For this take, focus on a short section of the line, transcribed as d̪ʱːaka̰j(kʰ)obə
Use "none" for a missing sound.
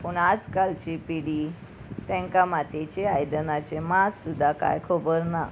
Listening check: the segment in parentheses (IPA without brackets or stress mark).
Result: kʰ